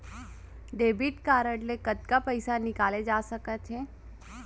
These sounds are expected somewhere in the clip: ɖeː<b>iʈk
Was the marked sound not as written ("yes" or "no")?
no